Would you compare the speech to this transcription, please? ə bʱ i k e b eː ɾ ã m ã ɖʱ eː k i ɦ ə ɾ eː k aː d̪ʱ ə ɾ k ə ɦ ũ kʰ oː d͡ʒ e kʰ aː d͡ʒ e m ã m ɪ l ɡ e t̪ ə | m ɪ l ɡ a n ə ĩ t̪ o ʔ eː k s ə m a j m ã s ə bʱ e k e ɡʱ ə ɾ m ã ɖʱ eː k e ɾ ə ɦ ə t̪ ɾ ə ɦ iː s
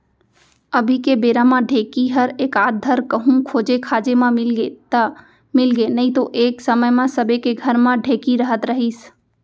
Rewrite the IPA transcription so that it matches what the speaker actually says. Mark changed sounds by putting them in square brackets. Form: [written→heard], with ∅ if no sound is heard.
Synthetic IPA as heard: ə bʱ i k e b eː ɾ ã m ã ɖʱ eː k i ɦ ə ɾ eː k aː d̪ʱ ə ɾ k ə ɦ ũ kʰ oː d͡ʒ e kʰ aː d͡ʒ e m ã m ɪ l ɡ e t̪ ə | m ɪ l ɡ [a→e] n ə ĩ t̪ o ʔ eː k s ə m [a→ə] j m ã s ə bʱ e k e ɡʱ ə ɾ m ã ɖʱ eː k [e→i] ɾ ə ɦ ə t̪ ɾ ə ɦ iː s